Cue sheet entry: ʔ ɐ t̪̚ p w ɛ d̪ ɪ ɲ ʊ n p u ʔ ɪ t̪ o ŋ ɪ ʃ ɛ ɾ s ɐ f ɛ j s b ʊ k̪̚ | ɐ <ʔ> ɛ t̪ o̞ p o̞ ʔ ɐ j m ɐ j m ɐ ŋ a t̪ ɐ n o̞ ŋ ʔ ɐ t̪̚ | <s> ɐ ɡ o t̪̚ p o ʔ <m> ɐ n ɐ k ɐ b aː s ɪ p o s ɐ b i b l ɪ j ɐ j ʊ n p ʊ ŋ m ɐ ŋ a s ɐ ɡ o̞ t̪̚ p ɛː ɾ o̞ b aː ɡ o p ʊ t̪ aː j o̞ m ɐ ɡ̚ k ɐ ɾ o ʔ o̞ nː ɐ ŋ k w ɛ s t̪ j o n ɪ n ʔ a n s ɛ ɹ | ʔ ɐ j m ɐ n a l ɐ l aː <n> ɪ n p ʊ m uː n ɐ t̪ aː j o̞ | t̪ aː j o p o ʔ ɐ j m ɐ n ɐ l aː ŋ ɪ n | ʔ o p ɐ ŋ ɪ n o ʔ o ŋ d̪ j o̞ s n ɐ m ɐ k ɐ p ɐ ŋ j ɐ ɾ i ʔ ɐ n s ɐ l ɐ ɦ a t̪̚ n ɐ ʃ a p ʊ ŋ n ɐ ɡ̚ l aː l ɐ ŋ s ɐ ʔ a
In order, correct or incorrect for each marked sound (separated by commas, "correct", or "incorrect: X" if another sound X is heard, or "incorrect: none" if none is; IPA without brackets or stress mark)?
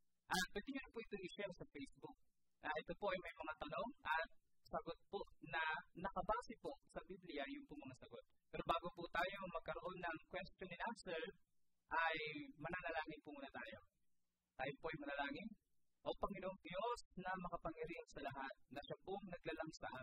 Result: correct, correct, incorrect: n, incorrect: ŋ